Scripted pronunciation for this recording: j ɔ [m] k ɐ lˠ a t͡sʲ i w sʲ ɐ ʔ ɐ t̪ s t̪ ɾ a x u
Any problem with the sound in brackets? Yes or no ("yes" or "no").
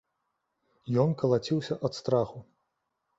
yes